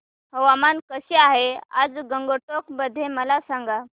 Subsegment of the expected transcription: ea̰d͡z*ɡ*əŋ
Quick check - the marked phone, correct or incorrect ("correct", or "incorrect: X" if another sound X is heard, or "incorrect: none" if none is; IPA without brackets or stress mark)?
correct